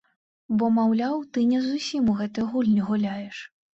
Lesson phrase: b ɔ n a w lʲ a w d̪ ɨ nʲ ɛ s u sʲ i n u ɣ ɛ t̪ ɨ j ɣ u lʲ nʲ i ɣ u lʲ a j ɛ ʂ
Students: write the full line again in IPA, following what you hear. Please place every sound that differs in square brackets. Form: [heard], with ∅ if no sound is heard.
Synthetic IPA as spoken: b ɔ [m] a w lʲ a w [t̪] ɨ nʲ ɛ [z] u sʲ i [m] u ɣ ɛ t̪ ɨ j ɣ u lʲ nʲ i ɣ u lʲ a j ɛ ʂ